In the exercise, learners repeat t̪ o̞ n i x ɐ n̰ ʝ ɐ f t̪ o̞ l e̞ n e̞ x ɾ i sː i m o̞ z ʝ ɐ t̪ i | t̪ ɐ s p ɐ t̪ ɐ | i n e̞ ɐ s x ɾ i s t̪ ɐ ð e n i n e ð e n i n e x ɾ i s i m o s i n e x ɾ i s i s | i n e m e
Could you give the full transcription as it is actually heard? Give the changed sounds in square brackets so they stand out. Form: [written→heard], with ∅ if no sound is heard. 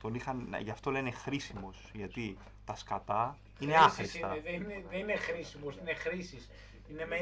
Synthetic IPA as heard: t̪ o̞ n i x ɐ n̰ ʝ ɐ f t̪ o̞ l e̞ n e̞ x ɾ i [sː→s] i m o̞ [z→s] ʝ ɐ t̪ i | t̪ ɐ s [p→k] ɐ t̪ ɐ | i n e̞ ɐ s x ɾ i s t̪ ɐ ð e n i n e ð e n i n e x ɾ i s i m o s i n e x ɾ i s i s | i n e m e